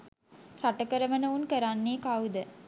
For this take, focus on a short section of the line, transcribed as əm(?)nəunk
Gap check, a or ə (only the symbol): ə